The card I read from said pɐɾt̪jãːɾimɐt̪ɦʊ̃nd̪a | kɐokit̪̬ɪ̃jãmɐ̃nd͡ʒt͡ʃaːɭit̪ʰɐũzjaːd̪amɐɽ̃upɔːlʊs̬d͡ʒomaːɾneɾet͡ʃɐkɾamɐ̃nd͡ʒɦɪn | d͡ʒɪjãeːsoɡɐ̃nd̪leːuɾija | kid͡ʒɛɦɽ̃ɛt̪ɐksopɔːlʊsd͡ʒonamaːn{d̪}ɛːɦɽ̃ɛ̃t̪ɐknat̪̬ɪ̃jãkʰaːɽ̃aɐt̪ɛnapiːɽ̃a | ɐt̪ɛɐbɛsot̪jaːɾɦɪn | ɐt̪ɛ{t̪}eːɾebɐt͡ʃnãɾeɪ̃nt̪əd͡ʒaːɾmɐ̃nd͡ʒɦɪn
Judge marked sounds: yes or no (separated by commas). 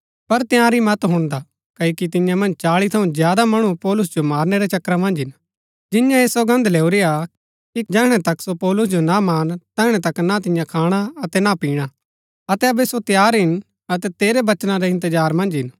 no, yes